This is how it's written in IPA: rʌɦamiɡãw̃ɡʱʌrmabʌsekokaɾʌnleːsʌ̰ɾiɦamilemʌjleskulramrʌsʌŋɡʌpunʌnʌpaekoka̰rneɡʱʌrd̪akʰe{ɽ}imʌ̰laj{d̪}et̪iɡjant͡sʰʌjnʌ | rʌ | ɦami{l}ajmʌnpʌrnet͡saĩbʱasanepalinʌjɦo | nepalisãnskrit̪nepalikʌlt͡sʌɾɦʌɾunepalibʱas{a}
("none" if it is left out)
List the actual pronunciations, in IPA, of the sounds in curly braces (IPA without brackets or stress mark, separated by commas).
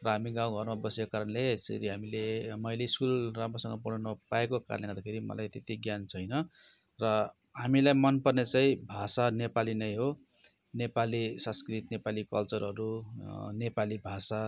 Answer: ɾ, t̪, l, a